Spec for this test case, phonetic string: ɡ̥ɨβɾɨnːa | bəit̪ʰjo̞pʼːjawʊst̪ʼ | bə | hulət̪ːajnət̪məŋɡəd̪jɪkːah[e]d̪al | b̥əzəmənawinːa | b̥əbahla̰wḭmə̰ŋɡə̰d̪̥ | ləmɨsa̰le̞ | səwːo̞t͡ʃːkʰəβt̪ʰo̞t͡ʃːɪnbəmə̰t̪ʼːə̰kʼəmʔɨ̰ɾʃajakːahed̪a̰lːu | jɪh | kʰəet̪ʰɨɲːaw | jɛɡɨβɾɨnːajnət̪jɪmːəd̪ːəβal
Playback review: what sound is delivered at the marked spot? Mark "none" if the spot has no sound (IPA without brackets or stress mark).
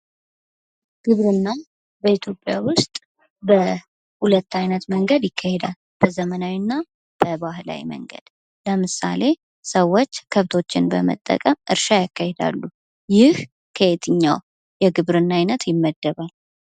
e